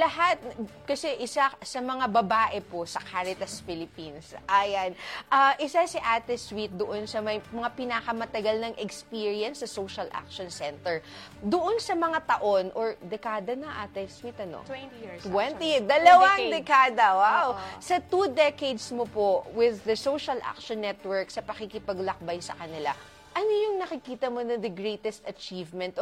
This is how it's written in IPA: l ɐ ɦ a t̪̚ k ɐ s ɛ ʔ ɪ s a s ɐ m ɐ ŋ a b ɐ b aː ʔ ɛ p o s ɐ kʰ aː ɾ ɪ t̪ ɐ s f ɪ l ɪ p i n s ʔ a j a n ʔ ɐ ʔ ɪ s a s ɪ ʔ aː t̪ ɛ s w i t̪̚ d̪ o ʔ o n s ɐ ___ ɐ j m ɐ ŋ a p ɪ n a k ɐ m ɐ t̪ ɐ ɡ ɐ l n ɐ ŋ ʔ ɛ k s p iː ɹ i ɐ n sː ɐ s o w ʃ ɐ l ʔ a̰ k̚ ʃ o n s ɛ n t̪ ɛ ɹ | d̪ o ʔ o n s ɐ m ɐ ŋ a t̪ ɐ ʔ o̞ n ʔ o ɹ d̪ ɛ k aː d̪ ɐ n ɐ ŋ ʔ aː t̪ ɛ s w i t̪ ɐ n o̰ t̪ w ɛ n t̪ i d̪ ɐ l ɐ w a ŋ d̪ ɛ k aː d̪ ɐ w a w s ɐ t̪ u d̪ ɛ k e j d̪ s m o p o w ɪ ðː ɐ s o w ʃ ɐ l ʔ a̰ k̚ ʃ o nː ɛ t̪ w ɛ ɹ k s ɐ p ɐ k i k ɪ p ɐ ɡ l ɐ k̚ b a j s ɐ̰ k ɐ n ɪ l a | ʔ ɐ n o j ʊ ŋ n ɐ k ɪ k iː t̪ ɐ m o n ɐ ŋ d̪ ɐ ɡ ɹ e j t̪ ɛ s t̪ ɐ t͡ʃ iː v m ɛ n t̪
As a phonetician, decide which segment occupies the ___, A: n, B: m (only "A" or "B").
B